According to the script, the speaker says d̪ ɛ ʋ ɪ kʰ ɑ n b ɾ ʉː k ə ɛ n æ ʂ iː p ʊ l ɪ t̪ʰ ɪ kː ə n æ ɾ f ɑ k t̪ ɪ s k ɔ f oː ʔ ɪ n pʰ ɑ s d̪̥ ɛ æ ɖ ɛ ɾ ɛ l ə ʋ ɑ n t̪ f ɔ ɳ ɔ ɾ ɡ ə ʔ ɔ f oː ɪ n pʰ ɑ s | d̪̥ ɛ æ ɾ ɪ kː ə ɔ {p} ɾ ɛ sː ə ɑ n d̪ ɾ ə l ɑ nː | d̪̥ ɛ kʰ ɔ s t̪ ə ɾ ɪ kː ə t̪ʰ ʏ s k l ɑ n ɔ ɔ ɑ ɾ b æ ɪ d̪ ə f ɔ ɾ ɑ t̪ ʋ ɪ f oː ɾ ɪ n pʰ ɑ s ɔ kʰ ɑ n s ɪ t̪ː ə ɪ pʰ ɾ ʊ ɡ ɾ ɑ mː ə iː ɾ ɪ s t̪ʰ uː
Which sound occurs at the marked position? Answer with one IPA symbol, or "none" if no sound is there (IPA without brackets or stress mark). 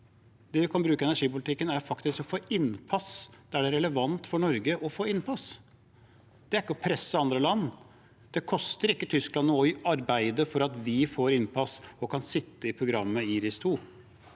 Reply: pʰ